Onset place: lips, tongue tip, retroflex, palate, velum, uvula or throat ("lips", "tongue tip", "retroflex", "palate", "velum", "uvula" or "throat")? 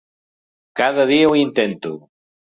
velum